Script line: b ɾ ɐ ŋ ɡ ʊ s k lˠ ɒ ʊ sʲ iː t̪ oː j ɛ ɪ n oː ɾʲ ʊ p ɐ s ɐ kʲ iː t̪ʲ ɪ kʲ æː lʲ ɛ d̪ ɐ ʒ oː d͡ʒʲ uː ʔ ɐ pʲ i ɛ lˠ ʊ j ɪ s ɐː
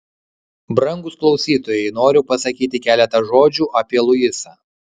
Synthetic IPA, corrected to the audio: b ɾ ɐ ŋ ɡ ʊ s k lˠ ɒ ʊ sʲ iː t̪ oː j ɛ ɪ n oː ɾʲ ʊ p ɐ s ɐ kʲ iː t̪ʲ ɪ kʲ æː lʲ ɛ t̪ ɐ ʒ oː d͡ʒʲ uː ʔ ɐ pʲ i ɛ lˠ ʊ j ɪ s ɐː